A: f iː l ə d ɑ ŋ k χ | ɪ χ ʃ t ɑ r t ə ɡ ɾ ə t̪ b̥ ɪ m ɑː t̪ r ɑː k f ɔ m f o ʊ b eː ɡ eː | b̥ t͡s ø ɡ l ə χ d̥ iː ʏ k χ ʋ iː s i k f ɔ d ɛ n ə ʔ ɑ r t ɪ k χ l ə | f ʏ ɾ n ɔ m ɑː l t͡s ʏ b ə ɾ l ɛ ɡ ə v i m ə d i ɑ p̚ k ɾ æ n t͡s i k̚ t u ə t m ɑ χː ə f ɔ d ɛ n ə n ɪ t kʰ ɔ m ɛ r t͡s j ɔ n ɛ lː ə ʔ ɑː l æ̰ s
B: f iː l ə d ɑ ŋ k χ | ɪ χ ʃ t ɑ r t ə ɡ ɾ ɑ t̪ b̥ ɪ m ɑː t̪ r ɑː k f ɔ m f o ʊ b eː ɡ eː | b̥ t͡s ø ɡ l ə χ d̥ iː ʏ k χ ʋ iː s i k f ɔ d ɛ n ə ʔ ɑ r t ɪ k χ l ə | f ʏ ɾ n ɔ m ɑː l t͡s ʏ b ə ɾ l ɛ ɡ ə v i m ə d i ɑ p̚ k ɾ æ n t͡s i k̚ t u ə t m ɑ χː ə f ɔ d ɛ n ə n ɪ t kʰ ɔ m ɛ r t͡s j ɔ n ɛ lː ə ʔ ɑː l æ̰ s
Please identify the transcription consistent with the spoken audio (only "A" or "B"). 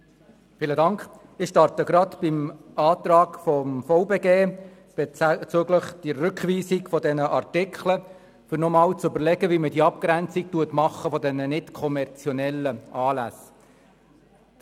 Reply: B